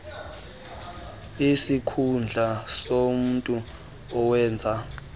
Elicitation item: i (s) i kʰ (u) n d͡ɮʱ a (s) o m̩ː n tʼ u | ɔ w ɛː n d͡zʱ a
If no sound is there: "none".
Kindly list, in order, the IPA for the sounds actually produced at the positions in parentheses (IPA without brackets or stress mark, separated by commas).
s, u, s